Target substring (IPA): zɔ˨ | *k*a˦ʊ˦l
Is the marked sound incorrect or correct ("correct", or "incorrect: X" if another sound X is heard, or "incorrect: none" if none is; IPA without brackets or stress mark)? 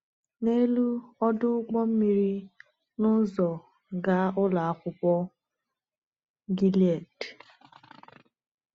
incorrect: ɡ